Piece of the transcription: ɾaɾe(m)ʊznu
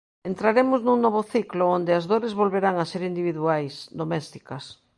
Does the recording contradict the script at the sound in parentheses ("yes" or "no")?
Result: no